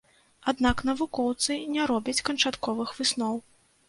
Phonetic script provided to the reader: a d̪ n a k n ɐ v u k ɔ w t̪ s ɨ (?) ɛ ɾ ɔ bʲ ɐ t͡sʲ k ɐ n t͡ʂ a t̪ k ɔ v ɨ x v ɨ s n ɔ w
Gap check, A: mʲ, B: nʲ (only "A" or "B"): B